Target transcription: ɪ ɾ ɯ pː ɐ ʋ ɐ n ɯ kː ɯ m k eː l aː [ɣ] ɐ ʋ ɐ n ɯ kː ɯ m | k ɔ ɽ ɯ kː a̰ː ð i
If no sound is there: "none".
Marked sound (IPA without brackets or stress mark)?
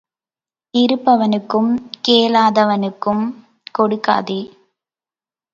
ð